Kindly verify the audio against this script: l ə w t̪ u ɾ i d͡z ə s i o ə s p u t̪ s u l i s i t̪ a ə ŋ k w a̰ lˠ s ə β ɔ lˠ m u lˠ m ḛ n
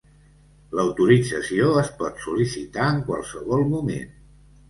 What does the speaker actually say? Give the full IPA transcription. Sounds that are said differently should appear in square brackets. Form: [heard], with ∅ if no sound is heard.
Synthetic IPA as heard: l ə w t̪ u ɾ i d͡z ə s i o ə s p [ɔ] t̪ s u l i s i t̪ a ə ŋ k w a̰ lˠ s ə β ɔ lˠ m u [∅] m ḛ n